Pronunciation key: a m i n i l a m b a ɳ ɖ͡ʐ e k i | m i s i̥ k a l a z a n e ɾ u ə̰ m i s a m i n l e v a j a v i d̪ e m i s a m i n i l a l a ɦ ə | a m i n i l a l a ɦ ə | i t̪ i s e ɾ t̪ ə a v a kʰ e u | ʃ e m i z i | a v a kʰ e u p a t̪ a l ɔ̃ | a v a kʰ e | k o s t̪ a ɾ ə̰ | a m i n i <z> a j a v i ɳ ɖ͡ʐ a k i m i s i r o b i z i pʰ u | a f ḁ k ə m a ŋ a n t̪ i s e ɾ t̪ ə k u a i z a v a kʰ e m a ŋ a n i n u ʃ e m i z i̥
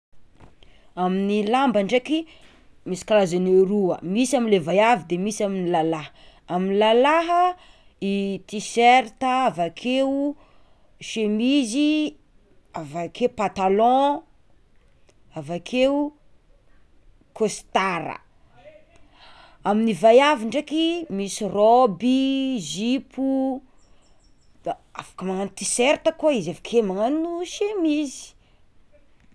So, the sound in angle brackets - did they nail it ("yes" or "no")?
no